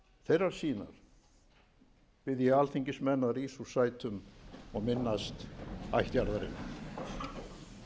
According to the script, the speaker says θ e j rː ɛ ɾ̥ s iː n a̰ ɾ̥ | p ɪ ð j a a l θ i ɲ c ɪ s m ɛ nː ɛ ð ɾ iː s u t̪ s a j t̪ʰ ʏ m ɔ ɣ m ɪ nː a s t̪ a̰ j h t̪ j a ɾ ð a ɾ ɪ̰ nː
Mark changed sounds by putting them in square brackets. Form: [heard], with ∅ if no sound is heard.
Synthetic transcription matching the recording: θ e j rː [a] ɾ̥ s iː n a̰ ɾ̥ | p ɪ ð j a a l θ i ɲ c ɪ s m ɛ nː [a] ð ɾ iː s u [∅] s a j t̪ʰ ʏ m ɔ ɣ m ɪ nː a s t̪ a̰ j h t̪ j a ɾ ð a ɾ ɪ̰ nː